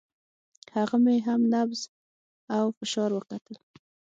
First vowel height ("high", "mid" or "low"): low